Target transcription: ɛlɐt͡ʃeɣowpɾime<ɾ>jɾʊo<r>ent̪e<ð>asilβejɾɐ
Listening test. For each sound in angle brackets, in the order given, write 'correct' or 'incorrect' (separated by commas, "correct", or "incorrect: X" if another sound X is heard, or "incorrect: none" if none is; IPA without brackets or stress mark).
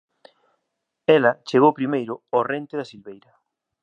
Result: incorrect: none, correct, correct